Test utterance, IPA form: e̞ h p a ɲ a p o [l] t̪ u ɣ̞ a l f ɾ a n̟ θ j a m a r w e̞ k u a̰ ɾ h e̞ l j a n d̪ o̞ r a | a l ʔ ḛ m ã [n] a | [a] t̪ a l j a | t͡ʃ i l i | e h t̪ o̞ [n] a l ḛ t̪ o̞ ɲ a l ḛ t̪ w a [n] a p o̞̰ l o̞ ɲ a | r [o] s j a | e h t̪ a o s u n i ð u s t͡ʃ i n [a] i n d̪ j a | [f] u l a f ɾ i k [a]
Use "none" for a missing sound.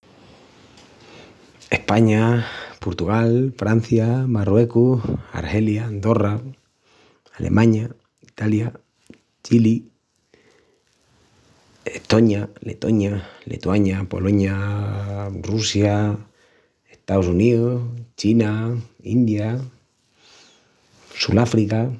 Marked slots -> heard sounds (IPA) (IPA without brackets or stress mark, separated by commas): ɾ, ɲ, i, ɲ, ɲ, u, a, s, a